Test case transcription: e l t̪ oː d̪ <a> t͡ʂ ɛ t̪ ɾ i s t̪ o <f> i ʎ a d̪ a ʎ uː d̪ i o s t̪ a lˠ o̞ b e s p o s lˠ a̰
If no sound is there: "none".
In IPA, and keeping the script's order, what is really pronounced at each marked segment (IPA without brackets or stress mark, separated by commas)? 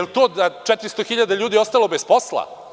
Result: a, x